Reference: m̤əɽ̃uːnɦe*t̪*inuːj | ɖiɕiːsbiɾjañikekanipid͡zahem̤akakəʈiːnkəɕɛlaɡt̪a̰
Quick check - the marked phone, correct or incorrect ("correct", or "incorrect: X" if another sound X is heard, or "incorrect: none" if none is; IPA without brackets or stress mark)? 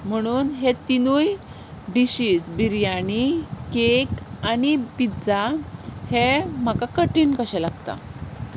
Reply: correct